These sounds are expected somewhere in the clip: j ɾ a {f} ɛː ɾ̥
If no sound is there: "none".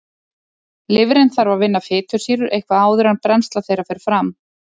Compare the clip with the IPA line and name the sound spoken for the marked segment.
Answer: f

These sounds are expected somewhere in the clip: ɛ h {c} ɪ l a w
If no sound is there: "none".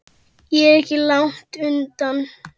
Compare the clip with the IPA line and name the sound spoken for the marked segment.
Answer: c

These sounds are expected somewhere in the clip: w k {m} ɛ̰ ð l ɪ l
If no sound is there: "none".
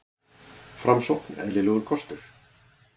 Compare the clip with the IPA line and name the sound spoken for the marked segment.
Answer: n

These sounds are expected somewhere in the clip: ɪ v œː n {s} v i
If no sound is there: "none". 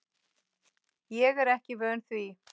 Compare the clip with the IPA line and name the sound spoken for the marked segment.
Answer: θ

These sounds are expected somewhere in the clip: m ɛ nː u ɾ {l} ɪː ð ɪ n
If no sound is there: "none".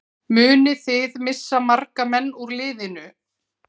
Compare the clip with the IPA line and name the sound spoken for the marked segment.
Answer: l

